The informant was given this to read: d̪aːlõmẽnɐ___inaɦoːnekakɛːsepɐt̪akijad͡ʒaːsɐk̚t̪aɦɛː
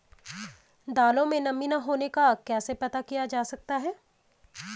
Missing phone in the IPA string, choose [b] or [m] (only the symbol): m